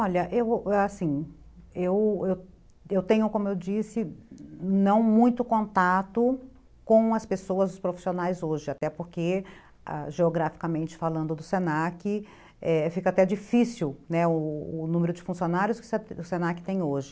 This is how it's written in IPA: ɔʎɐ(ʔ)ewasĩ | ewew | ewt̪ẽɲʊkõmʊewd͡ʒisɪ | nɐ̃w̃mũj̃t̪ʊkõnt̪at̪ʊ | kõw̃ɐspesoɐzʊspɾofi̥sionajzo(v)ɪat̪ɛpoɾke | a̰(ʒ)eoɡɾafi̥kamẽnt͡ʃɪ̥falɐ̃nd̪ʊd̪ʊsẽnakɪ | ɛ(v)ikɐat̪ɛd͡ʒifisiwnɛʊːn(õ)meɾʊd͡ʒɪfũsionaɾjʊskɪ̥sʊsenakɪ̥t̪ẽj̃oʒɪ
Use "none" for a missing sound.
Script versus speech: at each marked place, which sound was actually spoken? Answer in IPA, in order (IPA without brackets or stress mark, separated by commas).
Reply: ʔ, ʒ, ʒ, f, ũ